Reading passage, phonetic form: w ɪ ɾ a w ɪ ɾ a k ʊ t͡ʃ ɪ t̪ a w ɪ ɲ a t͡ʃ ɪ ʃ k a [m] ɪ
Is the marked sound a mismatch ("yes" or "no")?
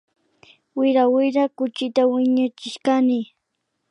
yes